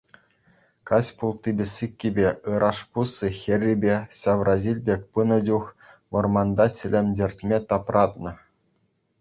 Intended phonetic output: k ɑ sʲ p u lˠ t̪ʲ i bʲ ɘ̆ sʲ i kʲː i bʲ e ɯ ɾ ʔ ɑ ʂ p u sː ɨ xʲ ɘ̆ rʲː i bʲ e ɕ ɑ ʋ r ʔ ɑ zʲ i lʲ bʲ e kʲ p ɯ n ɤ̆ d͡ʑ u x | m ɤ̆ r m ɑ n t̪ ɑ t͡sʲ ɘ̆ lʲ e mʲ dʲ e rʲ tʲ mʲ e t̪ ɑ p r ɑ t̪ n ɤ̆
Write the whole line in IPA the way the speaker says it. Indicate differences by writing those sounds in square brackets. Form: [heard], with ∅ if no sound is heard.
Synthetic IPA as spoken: k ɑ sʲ p u lˠ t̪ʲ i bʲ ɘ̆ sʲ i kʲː i bʲ e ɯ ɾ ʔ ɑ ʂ p u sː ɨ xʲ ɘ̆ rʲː i bʲ e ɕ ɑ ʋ r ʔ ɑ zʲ i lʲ bʲ e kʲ p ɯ n ɤ̆ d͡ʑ u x | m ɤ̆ r m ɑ n [d̪] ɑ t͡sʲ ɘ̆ lʲ e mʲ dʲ e rʲ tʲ mʲ e t̪ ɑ p r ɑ t̪ n ɤ̆